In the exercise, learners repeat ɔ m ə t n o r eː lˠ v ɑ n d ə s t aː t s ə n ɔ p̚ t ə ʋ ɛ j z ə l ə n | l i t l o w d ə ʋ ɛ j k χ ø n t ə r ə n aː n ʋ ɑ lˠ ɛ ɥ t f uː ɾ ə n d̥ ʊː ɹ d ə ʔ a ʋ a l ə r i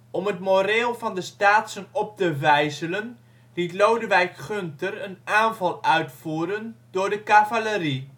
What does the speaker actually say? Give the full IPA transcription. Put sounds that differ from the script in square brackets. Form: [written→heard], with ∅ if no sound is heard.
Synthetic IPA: ɔ m ə t [n→m] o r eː lˠ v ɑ n d ə s t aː t s ə n ɔ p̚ t ə ʋ ɛ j z ə l ə n | l i t l o w d ə ʋ ɛ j k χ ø n t ə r ə n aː n [ʋ→v] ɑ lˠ [ɛ→œ] ɥ t f uː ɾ ə n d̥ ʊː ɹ d ə [ʔ→k] a [ʋ→v] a l ə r i

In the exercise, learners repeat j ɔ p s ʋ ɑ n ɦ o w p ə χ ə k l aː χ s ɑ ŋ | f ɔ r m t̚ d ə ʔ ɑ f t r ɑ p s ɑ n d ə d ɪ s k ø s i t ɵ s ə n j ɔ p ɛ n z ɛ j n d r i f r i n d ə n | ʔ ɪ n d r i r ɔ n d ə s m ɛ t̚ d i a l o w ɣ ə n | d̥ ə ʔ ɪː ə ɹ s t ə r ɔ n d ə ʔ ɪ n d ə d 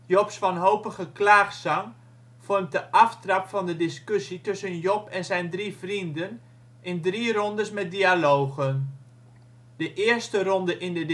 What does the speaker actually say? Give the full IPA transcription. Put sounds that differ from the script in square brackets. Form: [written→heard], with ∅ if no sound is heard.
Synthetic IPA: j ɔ p s ʋ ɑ n ɦ o w p ə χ ə k l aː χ s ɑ ŋ | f ɔ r m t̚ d ə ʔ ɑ f t r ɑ p [s→f] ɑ n d ə d ɪ s k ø s i t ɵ s ə n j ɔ p ɛ n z ɛ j n d r i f r i n d ə n | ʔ ɪ n d r i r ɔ n d ə s m ɛ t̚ d i a l o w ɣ ə n | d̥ ə ʔ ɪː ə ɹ s t ə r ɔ n d ə ʔ ɪ n d ə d

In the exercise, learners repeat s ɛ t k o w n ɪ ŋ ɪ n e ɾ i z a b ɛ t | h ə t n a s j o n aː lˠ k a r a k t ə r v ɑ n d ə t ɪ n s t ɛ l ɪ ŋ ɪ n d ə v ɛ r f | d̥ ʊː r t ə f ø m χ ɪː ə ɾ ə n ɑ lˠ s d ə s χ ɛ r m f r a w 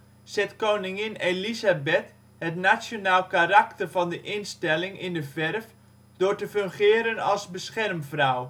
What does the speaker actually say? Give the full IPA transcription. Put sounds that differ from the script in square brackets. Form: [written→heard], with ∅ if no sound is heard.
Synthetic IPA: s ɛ t k o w n ɪ ŋ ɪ n e [ɾ→l] i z a b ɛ t | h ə t n a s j o n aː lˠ k a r a k t ə r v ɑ n d ə [t→ʔ] ɪ n s t ɛ l ɪ ŋ ɪ n d ə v ɛ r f | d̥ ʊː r t ə f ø [m→ŋ] χ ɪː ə ɾ ə n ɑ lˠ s [d→b] ə s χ ɛ r m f r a w

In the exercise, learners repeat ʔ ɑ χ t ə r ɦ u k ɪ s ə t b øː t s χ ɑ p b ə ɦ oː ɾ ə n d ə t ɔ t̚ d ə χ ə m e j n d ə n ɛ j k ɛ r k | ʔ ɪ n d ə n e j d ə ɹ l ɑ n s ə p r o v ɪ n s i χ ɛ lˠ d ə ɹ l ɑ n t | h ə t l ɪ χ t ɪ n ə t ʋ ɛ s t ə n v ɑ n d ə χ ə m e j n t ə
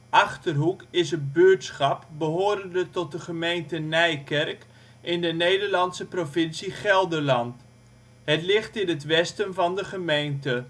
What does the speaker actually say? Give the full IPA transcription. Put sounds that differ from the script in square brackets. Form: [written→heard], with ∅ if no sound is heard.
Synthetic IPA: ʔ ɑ χ t ə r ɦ u k ɪ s ə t b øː t s χ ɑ p b ə ɦ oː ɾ ə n d ə t ɔ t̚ d ə χ ə m e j n [d→t] ə n ɛ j k ɛ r k | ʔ ɪ n d ə n e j d ə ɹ l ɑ n s ə p r o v ɪ n s i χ ɛ lˠ d ə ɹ l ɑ n t | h ə t l ɪ χ t ɪ n ə t ʋ ɛ s t ə n v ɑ n d ə χ ə m e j n t ə

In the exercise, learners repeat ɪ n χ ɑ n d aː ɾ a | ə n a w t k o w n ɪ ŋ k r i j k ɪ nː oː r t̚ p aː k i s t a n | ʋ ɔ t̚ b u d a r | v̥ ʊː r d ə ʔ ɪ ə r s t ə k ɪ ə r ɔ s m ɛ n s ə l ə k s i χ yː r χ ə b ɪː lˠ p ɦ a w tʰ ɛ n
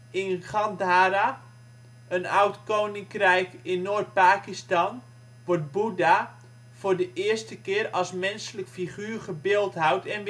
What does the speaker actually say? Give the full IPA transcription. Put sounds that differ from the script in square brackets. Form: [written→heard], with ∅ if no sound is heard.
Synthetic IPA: ɪ n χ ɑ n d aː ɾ a | ə n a w t k o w n ɪ ŋ k r [i→ɛ] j k ɪ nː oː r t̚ p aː k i s t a n | ʋ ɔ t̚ b u d a [r→∅] | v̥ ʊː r d ə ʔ ɪ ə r s t ə k ɪ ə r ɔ s m ɛ n s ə l ə k [s→f] i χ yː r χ ə b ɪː lˠ [p→t] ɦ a w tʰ ɛ n

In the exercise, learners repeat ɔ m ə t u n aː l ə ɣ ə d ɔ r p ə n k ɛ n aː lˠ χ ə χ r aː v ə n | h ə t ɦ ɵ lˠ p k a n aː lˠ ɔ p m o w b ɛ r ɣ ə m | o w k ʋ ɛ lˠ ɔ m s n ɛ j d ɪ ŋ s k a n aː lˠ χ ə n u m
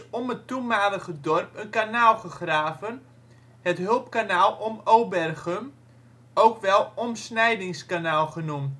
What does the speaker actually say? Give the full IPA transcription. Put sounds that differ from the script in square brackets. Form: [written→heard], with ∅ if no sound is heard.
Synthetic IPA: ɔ m ə t u [n→m] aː l ə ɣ ə d ɔ r p ə n k [ɛ→a] n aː lˠ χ ə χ r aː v ə n | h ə t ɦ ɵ lˠ p k a n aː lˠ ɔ [p→∅] m o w b ɛ r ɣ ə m | o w k ʋ ɛ lˠ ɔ m s n ɛ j d ɪ ŋ s k a n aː lˠ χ ə n u m

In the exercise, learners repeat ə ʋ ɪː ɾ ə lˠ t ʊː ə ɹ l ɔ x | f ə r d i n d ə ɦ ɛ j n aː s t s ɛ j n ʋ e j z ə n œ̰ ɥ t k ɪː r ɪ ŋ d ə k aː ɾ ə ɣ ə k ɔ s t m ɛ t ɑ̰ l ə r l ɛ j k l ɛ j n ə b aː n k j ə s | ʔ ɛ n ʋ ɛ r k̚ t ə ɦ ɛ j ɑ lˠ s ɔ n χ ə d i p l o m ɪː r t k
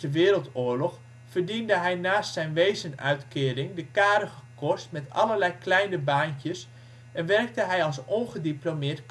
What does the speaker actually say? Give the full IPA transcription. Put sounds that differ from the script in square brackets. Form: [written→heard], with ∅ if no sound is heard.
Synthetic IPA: ə ʋ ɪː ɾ ə lˠ t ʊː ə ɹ l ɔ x | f ə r d i n d ə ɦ ɛ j n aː s t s ɛ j n ʋ e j z ə n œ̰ ɥ t k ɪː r ɪ ŋ d ə k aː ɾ ə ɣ ə k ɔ s t m ɛ t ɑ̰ l ə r l ɛ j k l ɛ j n ə b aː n k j ə s | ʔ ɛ n ʋ ɛ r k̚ t ə ɦ ɛ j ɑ lˠ s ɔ n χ ə d i p l o m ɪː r t k

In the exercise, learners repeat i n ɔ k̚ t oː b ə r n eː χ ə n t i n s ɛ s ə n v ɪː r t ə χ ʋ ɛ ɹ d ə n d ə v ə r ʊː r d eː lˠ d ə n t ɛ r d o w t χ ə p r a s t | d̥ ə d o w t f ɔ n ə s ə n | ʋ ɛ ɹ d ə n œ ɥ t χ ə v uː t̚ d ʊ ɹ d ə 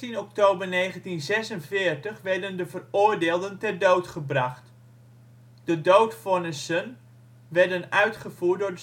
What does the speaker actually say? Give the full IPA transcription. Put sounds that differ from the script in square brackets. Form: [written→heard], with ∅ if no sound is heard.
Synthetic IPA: i n ɔ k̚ t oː b ə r n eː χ ə n t i n [s→z] ɛ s ə n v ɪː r t ə χ ʋ ɛ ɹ d ə n d ə v ə r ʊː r d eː lˠ d ə n t ɛ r d o w t χ ə [p→b] r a [s→χ] t | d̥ ə d o w t f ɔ n ə s ə n | ʋ ɛ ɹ d ə n œ ɥ t χ ə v uː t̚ d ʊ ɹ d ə

